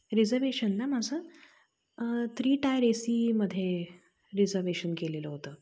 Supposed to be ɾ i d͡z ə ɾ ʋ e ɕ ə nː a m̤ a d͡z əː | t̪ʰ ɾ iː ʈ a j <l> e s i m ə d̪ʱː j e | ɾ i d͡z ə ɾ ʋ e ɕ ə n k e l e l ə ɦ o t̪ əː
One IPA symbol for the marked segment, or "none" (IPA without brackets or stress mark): ɾ